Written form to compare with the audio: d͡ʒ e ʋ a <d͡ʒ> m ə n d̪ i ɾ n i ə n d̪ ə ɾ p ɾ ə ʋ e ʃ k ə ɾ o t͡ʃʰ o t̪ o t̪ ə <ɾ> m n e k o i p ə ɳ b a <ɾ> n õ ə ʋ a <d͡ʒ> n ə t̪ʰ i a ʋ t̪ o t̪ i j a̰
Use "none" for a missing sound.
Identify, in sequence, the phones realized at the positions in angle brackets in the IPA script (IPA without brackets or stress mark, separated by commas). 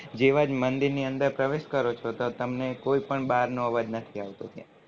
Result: d͡ʒ, none, ɾ, d͡ʒ